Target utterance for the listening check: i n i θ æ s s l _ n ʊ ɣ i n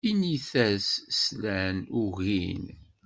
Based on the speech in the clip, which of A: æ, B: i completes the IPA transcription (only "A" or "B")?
A